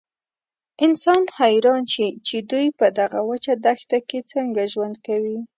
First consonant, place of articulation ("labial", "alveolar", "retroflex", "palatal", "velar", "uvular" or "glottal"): alveolar